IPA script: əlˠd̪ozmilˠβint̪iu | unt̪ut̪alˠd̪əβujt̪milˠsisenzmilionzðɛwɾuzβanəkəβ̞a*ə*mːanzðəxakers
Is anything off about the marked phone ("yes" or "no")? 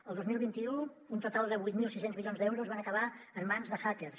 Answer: no